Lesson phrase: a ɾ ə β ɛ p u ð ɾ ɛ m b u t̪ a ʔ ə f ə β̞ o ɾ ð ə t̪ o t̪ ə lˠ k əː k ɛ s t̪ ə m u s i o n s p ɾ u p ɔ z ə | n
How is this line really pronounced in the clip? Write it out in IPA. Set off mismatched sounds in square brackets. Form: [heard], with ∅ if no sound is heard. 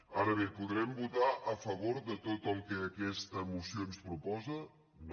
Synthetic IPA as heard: a ɾ ə β [e] p u ð ɾ ɛ m b u t̪ a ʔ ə f ə β̞ o ɾ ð ə t̪ o t̪ ə lˠ k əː k ɛ s t̪ ə m u s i o n s p ɾ u p ɔ z ə | n